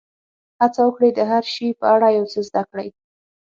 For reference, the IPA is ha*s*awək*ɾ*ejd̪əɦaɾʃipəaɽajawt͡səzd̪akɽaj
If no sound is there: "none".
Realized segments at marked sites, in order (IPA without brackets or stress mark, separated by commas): t͡s, ɽ